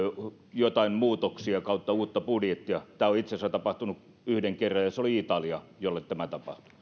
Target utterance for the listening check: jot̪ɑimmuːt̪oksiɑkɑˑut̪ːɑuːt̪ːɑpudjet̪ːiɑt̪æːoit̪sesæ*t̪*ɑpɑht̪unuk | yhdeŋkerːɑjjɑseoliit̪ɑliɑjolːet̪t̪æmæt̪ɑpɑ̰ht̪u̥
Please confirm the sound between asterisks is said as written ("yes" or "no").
yes